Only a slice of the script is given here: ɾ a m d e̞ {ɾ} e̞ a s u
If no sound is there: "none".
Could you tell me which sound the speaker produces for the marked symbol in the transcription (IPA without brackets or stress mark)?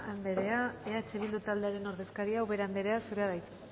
ɾ